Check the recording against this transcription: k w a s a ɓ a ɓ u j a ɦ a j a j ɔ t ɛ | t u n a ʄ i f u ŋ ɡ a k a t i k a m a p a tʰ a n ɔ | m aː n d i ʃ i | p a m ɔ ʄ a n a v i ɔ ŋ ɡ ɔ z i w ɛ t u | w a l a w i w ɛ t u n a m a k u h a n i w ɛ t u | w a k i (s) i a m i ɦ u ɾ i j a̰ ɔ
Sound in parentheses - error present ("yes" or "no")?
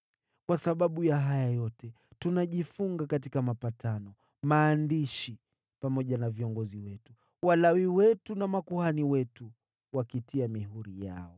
yes